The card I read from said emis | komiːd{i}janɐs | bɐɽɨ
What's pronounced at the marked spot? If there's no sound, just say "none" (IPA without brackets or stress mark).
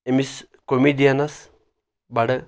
i